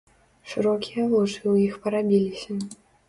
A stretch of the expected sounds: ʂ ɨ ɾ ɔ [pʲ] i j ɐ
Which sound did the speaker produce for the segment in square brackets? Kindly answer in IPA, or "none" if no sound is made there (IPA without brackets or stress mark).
kʲ